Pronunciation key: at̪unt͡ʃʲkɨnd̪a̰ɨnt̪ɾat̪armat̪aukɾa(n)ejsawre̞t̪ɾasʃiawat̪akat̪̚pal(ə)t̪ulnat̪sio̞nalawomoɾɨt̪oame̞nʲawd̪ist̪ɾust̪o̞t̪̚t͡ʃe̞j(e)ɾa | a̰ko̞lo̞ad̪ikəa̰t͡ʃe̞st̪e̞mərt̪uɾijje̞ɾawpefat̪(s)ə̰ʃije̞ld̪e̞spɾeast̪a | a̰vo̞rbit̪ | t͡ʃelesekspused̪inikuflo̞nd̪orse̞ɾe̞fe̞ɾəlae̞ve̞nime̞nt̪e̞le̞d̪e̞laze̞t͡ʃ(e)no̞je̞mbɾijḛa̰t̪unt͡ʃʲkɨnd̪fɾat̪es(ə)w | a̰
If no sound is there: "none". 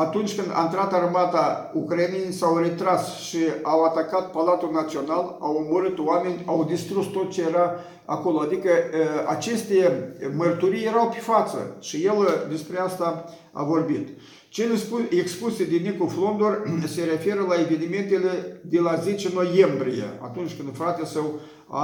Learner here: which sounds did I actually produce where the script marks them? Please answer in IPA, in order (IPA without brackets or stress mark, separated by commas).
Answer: n, a, e, s, e, ə